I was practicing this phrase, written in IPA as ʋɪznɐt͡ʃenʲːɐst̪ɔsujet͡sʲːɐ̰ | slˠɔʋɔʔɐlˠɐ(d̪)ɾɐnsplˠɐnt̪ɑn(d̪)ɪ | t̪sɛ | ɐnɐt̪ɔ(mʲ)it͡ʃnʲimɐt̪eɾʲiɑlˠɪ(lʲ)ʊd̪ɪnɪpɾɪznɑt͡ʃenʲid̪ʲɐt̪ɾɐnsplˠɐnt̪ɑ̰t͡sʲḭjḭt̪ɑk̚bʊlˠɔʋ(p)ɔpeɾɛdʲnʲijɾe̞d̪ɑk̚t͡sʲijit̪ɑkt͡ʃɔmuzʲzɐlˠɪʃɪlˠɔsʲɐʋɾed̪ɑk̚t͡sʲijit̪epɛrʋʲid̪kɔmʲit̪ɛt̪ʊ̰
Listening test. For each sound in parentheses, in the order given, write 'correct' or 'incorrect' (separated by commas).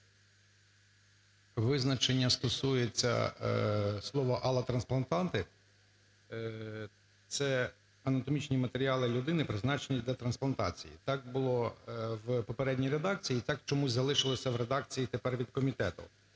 incorrect, incorrect, correct, correct, correct